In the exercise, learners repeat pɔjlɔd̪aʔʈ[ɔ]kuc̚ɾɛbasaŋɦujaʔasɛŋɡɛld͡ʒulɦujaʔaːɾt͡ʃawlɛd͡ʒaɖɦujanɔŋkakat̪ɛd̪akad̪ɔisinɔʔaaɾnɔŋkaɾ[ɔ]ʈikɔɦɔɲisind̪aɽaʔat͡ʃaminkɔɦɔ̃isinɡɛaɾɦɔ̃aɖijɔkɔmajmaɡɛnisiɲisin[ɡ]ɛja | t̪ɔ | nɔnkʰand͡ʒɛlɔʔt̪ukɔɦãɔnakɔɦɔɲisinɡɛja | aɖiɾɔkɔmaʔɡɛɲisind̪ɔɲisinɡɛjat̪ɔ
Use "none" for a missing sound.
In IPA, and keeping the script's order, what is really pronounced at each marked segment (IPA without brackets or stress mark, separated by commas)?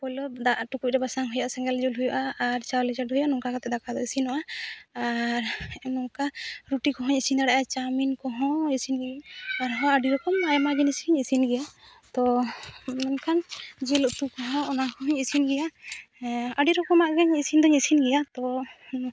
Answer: u, u, ɡ